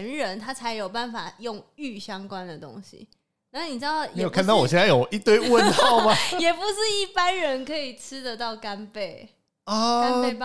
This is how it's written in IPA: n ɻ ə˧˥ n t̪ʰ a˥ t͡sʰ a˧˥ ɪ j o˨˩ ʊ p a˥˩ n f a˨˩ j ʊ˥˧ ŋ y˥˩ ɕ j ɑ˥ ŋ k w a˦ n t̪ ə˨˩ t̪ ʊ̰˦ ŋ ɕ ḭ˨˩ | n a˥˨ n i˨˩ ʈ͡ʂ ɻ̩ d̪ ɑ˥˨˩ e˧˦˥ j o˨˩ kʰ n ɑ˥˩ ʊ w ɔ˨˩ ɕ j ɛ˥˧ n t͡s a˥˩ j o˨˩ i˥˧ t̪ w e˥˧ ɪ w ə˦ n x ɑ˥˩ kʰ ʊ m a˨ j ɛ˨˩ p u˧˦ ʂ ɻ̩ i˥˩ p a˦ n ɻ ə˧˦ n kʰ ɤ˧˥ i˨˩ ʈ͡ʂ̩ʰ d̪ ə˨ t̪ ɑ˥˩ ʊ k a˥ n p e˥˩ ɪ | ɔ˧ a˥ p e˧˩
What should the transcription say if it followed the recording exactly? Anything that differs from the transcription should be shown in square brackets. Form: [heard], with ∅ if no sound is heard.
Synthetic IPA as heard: n ɻ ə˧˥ n t̪ʰ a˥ t͡sʰ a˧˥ ɪ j o˨˩ ʊ p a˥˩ n f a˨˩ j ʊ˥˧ ŋ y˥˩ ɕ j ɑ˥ ŋ k w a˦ n [d̪] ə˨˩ t̪ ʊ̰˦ ŋ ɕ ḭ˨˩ | n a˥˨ n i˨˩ ʈ͡ʂ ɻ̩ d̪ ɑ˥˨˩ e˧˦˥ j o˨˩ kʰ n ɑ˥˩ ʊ w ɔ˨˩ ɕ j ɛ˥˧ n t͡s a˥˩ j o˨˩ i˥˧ t̪ w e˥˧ ɪ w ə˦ n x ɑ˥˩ [∅] ʊ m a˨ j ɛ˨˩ p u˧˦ ʂ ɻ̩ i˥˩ p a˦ n ɻ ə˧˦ n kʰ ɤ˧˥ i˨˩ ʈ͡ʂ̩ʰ d̪ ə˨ t̪ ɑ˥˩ ʊ k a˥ n p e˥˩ ɪ | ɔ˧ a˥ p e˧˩